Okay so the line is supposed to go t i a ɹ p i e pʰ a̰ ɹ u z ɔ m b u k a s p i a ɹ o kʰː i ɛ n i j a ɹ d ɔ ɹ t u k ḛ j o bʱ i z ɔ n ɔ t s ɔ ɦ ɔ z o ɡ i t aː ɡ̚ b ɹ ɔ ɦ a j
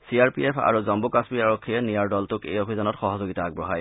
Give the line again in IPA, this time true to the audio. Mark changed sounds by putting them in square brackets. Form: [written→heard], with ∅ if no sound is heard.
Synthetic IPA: [t→s] i a ɹ p i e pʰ a̰ ɹ u z ɔ m b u k a s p i a ɹ o kʰː i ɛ n i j a ɹ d ɔ [ɹ→l] t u k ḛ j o bʱ i z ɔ n ɔ t [s→x] ɔ ɦ ɔ z o ɡ i t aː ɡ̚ b ɹ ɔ ɦ a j